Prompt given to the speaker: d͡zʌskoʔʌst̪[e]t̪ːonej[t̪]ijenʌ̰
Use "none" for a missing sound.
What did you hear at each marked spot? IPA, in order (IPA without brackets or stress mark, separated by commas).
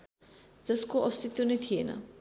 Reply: i, t̪ʰ